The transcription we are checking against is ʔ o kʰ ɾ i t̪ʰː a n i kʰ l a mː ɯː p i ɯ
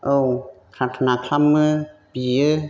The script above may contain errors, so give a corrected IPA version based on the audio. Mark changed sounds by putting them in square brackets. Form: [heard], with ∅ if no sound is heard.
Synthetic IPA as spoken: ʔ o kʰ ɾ [a] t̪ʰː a n [a] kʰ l a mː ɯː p i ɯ